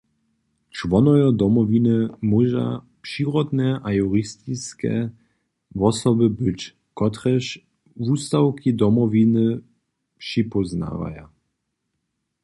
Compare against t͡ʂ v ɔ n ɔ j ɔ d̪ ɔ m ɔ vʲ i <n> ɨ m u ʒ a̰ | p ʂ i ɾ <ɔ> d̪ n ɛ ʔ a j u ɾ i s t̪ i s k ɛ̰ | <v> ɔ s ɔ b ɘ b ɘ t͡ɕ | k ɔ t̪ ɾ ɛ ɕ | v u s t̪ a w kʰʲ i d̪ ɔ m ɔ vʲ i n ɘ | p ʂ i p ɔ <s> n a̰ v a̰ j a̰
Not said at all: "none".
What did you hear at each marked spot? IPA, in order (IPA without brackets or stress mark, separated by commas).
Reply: n, ɔ, v, z